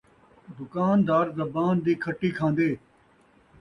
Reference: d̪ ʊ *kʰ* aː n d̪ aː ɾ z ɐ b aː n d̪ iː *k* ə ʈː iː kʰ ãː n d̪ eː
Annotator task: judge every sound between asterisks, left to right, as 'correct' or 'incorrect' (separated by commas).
incorrect, incorrect